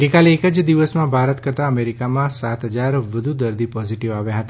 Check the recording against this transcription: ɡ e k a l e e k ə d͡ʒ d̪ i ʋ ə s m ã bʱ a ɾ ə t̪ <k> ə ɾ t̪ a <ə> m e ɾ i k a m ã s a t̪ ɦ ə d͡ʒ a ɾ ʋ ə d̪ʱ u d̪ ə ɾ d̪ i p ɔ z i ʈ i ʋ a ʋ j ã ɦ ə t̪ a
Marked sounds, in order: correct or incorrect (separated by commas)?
correct, correct